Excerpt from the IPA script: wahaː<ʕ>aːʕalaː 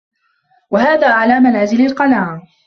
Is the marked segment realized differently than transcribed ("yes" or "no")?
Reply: yes